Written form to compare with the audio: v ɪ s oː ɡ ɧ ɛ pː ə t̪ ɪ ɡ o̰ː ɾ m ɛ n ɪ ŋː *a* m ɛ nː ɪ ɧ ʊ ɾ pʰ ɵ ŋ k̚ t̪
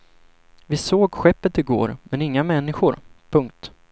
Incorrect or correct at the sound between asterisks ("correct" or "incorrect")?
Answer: correct